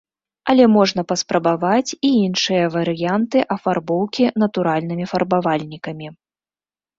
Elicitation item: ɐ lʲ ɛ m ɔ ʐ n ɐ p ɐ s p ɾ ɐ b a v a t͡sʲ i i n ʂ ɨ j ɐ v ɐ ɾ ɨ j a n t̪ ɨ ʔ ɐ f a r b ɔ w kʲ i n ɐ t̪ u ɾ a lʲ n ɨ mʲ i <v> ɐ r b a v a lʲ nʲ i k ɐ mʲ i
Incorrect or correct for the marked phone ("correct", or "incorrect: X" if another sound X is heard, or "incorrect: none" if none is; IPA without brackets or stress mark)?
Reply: incorrect: f